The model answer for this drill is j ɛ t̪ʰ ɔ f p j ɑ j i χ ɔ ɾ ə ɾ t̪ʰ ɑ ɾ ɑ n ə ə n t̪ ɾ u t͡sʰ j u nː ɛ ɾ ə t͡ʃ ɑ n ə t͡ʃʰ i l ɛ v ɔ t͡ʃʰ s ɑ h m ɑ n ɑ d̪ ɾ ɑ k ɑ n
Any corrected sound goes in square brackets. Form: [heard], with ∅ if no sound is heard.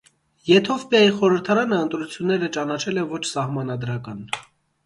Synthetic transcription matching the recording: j ɛ t̪ʰ ɔ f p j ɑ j i χ ɔ ɾ ə ɾ t̪ʰ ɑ ɾ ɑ n ə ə n t̪ ɾ u t͡sʰ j u nː ɛ ɾ ə t͡ʃ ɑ n [ɑ] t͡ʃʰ [ɛ] l ɛ v ɔ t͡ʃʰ s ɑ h m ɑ n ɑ d̪ ɾ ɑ k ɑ n